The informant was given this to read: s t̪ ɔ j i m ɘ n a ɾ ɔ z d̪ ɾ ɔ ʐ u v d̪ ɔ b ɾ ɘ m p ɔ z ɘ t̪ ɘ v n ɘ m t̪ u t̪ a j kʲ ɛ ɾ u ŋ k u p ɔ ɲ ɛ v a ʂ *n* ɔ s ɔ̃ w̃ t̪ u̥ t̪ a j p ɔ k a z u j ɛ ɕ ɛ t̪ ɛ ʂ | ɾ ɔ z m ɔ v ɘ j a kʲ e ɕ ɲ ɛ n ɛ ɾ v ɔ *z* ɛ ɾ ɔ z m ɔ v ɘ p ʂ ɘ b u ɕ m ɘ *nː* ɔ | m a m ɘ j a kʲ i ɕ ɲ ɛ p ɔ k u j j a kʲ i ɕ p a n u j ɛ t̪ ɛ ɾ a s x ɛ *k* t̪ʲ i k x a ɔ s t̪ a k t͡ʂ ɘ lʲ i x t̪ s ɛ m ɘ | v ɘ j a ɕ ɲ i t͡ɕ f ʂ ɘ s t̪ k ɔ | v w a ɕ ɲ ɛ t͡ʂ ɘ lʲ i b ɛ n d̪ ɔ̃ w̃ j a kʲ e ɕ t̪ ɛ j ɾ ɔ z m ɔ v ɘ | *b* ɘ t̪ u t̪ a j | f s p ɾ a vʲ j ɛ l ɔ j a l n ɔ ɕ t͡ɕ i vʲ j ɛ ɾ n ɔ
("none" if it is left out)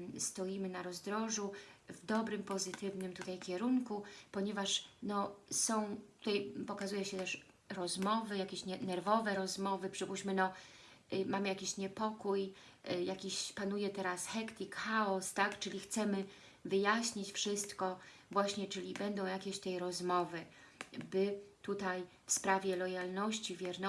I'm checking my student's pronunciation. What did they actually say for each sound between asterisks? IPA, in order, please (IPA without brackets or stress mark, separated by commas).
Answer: n, v, n, k, b